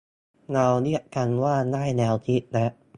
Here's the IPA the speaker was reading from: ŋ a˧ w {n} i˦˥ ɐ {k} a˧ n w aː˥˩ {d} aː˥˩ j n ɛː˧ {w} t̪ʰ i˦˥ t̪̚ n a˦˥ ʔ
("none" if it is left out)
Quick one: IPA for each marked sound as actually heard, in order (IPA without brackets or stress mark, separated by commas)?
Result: n, k, n, w